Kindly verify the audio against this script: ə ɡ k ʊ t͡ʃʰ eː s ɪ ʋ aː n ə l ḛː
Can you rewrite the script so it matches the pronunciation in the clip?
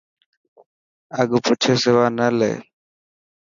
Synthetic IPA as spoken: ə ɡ p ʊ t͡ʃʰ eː s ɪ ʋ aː n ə l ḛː